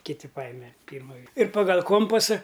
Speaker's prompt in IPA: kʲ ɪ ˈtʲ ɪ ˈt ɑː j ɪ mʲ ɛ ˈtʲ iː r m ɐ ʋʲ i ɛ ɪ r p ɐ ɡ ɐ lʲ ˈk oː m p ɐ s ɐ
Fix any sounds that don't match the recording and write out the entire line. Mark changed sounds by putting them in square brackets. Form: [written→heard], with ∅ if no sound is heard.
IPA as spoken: kʲ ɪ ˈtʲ ɪ [ˈt→ˈp] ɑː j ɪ mʲ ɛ [ˈtʲ→ˈpʲ] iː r m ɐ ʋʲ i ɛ ɪ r p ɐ ɡ ɐ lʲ ˈk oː m p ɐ s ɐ